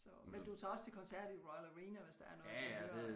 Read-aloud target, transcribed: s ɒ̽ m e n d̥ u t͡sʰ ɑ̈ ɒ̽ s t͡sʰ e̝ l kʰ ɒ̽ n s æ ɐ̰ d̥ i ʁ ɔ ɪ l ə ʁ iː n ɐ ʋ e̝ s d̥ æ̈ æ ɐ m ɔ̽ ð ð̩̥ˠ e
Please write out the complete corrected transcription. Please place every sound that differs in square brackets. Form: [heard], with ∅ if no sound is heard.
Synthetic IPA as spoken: s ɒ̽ m e n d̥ u t͡sʰ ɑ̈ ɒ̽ s t͡sʰ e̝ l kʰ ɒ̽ n s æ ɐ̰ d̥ i ʁ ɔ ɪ l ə ʁ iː n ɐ ʋ e̝ s d̥ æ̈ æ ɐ [n] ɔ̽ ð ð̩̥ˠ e

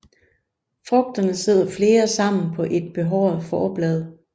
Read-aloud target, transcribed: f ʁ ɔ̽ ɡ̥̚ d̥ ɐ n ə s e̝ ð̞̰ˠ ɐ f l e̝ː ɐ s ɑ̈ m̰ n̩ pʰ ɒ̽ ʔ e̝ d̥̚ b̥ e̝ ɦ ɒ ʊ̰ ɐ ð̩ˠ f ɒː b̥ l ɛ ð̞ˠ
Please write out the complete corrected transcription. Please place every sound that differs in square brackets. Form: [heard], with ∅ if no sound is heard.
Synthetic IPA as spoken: f ʁ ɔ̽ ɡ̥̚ d̥ ɐ n ə s e̝ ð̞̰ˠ ɐ f l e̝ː ɐ s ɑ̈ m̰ n̩ pʰ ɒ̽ ʔ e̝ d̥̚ b̥ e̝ ɦ ɒ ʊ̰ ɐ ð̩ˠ f ɒː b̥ l ɛ ð̞ˠ

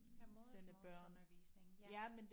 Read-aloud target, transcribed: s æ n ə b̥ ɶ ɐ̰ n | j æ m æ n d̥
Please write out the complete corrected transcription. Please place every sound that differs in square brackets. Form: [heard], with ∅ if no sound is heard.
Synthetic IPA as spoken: s [e] n ə b̥ ɶ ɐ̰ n | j æ m [e] n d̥

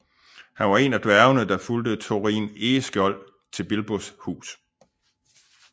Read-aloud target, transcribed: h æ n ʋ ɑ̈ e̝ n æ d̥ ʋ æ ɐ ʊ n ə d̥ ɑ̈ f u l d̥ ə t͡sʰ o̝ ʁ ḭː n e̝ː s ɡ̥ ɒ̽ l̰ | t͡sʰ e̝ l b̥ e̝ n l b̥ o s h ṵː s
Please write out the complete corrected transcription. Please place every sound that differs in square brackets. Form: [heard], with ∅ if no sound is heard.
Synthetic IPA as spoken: h æ n ʋ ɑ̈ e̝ n æ d̥ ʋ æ ɐ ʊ n ə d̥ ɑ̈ f u l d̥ ə t͡sʰ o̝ ʁ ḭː n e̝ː s ɡ̥ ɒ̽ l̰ | t͡sʰ e̝ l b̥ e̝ [∅] l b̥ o s h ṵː s

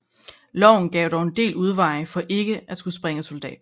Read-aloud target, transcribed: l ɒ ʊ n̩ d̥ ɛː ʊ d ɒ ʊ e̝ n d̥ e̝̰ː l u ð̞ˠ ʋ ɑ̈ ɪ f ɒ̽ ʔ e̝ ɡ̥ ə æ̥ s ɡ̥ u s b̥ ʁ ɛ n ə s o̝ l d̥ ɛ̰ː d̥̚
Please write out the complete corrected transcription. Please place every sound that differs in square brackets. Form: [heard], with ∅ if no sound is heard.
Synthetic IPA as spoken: l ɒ ʊ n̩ [ɡ̥] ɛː ʊ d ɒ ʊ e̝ n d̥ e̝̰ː l u ð̞ˠ ʋ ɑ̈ ɪ f ɒ̽ ʔ e̝ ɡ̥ ə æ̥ s ɡ̥ u s b̥ ʁ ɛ [ŋ] ə s o̝ l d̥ ɛ̰ː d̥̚

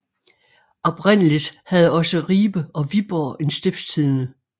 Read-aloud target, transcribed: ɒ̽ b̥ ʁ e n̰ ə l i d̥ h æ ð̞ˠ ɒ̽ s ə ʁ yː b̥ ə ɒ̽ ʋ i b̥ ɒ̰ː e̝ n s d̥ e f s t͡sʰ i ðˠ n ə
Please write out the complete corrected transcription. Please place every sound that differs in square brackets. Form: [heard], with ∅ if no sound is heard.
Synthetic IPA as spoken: ɒ̽ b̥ ʁ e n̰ ə l i d̥ h æ ð̞ˠ ɒ̽ s ə ʁ [iː] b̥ ə ɒ̽ ʋ i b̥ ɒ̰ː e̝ n s d̥ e f s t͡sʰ i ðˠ n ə

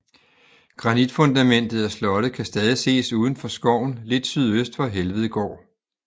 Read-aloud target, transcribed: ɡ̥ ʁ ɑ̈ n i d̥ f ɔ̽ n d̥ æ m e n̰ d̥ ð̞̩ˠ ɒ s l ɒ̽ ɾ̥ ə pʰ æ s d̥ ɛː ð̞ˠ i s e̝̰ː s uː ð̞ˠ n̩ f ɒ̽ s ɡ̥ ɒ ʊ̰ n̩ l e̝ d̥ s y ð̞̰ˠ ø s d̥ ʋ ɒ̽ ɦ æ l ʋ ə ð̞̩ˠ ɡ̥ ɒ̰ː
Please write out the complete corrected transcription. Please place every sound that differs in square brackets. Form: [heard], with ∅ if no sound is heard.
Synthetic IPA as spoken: ɡ̥ ʁ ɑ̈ n i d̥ f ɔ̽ n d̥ æ m e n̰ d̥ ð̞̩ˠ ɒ s l ɒ̽ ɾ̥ ə [kʰ] æ s d̥ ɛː ð̞ˠ i s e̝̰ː s uː ð̞ˠ n̩ f ɒ̽ s ɡ̥ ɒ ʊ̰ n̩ l e̝ d̥ s y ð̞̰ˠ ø s d̥ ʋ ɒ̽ ɦ [e] l ʋ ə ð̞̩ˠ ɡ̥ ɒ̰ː

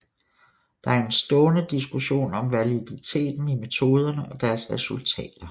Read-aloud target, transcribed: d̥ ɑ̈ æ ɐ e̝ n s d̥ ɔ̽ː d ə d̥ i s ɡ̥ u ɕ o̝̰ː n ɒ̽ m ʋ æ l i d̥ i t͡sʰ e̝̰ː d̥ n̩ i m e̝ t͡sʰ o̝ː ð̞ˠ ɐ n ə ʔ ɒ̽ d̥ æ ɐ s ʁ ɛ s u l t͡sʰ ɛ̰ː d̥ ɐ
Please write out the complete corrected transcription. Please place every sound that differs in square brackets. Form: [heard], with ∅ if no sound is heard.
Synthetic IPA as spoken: d̥ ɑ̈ æ ɐ e̝ n s d̥ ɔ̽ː [n] ə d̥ i s ɡ̥ u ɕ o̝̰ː n ɒ̽ m ʋ æ l i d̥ i t͡sʰ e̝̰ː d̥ n̩ i m e̝ t͡sʰ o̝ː ð̞ˠ ɐ n ə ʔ ɒ̽ d̥ æ ɐ s ʁ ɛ s u l t͡sʰ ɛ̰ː d̥ ɐ

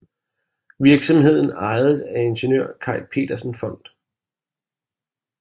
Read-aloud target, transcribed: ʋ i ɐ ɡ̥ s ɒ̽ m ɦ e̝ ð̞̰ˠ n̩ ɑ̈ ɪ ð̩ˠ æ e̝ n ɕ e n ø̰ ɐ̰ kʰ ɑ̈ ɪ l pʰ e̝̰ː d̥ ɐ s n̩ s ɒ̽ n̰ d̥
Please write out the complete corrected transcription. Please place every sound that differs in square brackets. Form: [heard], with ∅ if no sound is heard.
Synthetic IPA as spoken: ʋ i ɐ ɡ̥ s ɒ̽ m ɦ e̝ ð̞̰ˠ n̩ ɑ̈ ɪ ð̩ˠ æ e̝ n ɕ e n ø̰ ɐ̰ kʰ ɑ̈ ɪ l pʰ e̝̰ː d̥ ɐ s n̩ [f] ɒ̽ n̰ d̥

